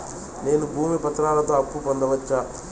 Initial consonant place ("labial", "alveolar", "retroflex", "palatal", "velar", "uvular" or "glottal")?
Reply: alveolar